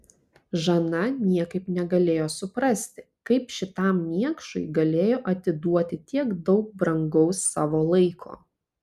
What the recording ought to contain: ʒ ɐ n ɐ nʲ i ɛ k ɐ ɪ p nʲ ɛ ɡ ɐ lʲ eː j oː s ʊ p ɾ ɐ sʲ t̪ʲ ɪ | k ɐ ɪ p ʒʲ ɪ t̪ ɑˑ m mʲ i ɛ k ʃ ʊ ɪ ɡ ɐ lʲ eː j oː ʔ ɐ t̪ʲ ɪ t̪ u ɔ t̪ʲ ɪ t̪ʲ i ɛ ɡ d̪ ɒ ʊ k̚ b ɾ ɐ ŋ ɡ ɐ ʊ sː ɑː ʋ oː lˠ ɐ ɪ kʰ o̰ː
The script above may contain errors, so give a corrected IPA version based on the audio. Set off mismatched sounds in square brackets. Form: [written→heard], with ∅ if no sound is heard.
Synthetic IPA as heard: ʒ ɐ n ɐ nʲ i ɛ k ɐ ɪ p nʲ ɛ ɡ ɐ lʲ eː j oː s ʊ p ɾ ɐ sʲ t̪ʲ ɪ | k ɐ ɪ p [ʒʲ→ʃʲ] ɪ t̪ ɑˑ m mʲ i ɛ k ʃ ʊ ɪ ɡ ɐ lʲ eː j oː ʔ ɐ t̪ʲ ɪ [t̪→d̪] u ɔ t̪ʲ ɪ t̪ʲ i ɛ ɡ d̪ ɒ ʊ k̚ b ɾ ɐ ŋ ɡ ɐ ʊ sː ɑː ʋ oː lˠ ɐ ɪ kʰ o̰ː